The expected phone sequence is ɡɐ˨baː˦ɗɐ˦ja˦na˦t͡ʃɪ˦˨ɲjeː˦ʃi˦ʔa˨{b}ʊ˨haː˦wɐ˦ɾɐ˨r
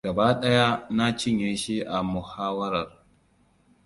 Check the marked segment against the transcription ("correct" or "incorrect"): incorrect